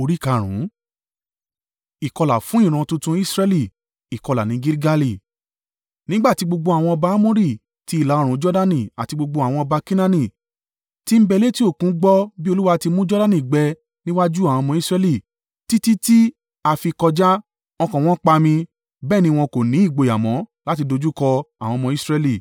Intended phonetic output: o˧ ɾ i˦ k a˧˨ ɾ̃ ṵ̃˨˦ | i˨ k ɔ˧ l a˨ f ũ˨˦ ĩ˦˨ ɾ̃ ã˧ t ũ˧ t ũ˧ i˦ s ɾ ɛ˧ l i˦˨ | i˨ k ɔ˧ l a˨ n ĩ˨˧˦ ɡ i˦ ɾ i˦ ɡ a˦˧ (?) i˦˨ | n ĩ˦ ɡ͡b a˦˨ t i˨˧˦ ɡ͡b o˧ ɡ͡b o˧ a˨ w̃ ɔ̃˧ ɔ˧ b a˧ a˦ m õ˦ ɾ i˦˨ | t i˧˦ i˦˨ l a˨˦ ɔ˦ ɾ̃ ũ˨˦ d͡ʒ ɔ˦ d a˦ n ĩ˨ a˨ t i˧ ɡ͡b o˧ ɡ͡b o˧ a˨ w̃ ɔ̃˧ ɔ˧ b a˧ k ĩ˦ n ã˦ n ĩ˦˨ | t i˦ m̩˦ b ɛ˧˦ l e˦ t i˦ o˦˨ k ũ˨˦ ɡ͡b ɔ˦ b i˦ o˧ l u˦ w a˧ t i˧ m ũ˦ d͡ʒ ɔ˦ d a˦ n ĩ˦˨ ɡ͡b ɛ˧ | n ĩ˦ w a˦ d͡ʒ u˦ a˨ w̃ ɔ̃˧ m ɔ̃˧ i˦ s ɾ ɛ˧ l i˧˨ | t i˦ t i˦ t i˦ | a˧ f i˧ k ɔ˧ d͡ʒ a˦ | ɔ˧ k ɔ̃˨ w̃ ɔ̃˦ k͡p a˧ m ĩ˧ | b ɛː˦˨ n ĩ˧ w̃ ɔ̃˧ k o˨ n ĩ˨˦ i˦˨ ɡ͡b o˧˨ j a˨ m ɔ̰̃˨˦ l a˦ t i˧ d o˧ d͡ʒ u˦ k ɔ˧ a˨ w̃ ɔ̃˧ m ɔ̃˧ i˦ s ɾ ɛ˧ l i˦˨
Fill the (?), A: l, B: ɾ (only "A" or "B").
A